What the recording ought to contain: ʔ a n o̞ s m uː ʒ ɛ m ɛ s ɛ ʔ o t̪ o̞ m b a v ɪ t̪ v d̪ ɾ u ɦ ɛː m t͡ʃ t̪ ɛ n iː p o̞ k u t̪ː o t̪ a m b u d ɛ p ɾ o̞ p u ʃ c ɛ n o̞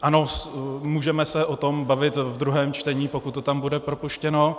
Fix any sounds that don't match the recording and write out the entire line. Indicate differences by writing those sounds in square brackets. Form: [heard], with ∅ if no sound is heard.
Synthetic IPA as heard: ʔ a n o̞ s m uː ʒ ɛ m ɛ s ɛ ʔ o t̪ o̞ m b a v ɪ t̪ v d̪ ɾ u ɦ ɛː m t͡ʃ t̪ ɛ [ɲ] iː p o̞ k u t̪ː o t̪ a m b u d ɛ p ɾ o̞ p u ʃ c ɛ n o̞

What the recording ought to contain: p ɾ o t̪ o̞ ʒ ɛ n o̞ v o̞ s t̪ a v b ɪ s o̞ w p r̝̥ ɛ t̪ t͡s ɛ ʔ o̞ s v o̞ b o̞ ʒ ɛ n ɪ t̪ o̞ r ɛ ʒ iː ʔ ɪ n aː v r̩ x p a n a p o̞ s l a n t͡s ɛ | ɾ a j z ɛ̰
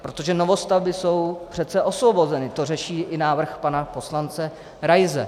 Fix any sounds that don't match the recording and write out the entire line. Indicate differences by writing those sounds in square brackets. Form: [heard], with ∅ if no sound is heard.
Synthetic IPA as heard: p ɾ o t̪ o̞ ʒ ɛ n o̞ v o̞ s t̪ a v b ɪ s o̞ w p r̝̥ ɛ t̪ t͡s ɛ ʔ o̞ s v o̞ b o̞ [z] ɛ n ɪ t̪ o̞ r ɛ [ʃ] iː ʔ ɪ n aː v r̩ x p a n a p o̞ s l a n t͡s ɛ | ɾ a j z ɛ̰

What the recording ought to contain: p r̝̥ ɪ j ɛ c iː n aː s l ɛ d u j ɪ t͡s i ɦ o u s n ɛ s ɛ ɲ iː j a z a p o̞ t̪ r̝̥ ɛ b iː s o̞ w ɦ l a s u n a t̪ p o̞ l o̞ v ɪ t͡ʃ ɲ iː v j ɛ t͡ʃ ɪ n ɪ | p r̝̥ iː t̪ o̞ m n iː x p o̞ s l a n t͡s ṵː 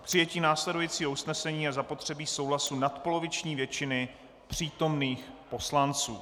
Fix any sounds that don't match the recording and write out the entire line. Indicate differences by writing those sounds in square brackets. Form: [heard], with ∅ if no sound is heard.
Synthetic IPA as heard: p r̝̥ ɪ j ɛ c iː n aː s l ɛ d u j [i] t͡s [iː] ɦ o u s n ɛ s ɛ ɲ iː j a z a p o̞ t̪ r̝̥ ɛ b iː s o̞ w ɦ l a s u n a t̪ p o̞ l o̞ v ɪ t͡ʃ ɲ iː v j ɛ t͡ʃ ɪ n ɪ | p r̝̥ iː t̪ o̞ m n iː x p o̞ s l a n t͡s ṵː

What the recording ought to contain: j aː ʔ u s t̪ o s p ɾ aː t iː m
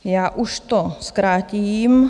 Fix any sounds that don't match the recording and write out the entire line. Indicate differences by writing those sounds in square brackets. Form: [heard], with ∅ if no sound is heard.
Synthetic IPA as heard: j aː ʔ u [ʃ] t̪ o s [k] ɾ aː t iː m

